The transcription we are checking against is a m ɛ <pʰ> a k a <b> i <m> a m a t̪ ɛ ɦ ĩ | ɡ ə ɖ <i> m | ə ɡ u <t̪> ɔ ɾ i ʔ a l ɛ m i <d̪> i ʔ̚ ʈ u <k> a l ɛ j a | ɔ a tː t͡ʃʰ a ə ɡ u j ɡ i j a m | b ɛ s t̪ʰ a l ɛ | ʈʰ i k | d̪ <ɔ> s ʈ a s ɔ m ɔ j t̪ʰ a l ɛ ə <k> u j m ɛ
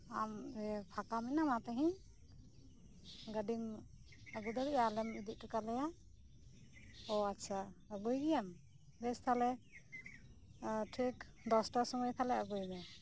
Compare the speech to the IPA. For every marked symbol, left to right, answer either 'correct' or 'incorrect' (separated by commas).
correct, incorrect, incorrect, correct, incorrect, correct, correct, correct, incorrect